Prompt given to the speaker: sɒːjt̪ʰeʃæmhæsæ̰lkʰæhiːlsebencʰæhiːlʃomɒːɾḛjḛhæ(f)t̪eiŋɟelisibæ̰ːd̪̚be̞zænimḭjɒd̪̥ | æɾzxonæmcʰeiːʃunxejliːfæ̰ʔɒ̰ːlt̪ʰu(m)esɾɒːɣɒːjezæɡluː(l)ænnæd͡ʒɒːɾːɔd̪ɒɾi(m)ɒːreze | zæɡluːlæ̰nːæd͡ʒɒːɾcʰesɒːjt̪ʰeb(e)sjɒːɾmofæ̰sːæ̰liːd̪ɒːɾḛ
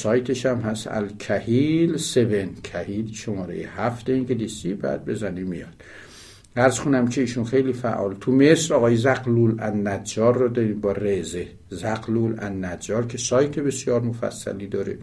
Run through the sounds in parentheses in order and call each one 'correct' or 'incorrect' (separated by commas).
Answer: correct, correct, correct, incorrect, correct